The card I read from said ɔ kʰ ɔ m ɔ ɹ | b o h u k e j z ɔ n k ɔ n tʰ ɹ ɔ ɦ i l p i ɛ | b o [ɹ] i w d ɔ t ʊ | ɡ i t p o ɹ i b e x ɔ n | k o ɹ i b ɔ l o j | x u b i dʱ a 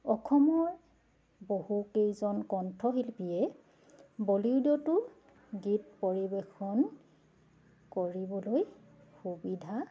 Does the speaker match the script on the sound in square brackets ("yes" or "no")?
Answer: no